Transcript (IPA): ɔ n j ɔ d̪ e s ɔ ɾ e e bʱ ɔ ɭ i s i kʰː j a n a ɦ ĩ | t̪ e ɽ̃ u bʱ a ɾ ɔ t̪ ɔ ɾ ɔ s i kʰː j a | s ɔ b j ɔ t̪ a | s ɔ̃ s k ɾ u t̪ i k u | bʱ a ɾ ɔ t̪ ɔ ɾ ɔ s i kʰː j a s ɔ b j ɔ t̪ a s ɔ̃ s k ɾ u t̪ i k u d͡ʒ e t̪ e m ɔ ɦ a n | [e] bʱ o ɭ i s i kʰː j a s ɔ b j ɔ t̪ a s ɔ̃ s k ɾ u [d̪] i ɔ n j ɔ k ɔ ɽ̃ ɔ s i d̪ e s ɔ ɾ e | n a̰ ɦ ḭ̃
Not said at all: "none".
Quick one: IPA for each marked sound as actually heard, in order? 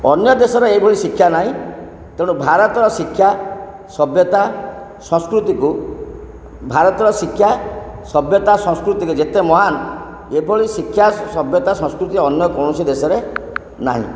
e, t̪

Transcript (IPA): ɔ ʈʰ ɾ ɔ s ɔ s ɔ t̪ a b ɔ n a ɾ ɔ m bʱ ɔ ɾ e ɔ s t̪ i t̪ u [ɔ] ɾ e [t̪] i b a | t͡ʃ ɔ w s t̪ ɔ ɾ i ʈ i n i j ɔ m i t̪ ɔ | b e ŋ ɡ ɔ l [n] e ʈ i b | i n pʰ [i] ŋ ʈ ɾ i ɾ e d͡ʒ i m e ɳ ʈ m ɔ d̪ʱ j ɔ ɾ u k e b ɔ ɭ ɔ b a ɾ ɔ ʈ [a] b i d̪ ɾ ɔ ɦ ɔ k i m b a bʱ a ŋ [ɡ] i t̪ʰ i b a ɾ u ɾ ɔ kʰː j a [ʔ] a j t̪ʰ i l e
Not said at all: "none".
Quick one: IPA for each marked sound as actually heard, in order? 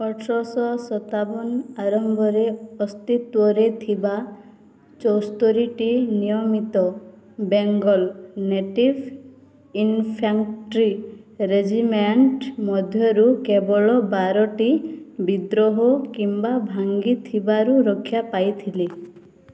ɔ, t̪ʰ, n, a, i, ɡ, p

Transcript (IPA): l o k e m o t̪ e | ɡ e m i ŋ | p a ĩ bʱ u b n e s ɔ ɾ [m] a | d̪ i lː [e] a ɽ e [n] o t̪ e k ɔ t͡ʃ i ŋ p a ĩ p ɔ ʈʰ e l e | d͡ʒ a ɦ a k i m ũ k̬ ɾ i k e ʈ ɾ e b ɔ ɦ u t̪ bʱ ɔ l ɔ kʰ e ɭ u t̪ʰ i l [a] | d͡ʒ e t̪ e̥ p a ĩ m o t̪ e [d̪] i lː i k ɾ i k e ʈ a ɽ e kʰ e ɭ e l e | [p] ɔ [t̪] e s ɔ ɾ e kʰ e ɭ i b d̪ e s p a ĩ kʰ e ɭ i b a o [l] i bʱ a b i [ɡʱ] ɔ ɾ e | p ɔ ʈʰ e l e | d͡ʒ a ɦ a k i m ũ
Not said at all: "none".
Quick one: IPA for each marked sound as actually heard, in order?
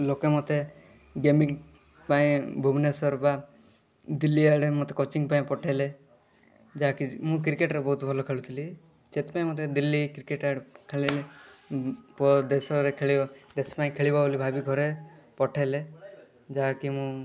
b, i, m, i, d̪, p, d̪, l, ɡʱ

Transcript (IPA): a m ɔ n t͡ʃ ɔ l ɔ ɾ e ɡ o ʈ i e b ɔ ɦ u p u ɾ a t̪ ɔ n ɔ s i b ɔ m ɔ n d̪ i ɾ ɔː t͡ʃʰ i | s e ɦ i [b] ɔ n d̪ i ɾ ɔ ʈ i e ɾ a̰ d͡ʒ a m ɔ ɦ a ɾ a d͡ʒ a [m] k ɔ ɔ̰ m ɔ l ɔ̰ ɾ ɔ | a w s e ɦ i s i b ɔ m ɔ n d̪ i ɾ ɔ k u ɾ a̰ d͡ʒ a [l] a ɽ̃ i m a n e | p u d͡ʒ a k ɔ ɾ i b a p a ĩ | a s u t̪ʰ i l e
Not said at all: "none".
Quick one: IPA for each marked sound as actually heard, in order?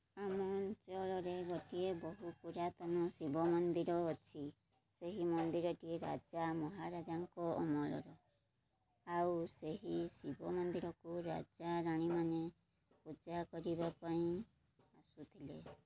m, ŋ, ɾ

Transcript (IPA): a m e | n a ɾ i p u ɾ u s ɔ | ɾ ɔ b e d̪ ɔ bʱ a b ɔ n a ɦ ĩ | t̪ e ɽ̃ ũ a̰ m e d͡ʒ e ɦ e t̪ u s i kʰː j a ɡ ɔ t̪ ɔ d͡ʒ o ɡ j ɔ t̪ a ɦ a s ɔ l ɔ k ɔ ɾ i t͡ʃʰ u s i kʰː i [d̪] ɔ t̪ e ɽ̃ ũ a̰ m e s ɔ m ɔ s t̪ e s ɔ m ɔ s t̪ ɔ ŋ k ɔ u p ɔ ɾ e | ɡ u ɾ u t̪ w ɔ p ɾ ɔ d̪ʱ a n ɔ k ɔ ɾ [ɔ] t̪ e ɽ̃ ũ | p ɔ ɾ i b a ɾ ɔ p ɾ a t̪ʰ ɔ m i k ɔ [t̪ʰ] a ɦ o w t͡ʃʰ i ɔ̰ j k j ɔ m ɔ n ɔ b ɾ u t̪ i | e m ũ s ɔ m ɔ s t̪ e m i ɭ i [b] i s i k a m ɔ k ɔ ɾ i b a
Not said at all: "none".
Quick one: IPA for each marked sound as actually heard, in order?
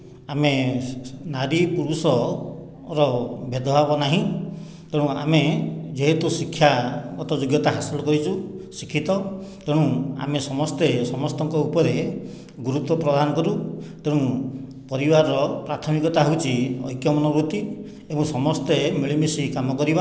t̪, u, t̪, m

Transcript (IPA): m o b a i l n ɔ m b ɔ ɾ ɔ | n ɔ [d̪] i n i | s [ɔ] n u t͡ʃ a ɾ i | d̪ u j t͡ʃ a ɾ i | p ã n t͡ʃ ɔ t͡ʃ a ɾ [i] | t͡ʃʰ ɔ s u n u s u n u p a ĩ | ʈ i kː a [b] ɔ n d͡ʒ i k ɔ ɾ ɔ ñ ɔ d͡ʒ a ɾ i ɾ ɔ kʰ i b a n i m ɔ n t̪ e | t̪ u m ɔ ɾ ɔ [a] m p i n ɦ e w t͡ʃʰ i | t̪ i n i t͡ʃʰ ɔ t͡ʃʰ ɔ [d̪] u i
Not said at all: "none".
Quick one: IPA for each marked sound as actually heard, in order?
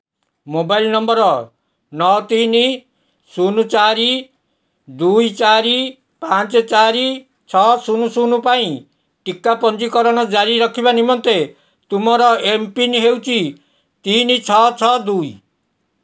t̪, u, i, p, e, d̪

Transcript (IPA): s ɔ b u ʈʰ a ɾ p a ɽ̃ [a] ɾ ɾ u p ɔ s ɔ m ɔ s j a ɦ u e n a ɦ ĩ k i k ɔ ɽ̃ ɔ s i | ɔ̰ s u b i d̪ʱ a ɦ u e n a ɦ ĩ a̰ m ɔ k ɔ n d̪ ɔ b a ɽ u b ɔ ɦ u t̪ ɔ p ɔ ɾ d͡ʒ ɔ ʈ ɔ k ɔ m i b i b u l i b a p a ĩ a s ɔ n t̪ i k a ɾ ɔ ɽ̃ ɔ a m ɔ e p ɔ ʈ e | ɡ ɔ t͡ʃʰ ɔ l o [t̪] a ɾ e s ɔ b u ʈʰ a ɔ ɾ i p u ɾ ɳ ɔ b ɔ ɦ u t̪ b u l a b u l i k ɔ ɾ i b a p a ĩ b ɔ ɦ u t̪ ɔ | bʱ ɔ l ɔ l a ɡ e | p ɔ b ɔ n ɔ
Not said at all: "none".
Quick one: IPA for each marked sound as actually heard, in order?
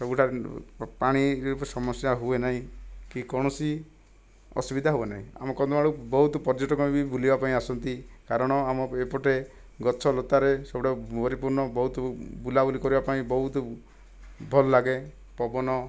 i, t̪

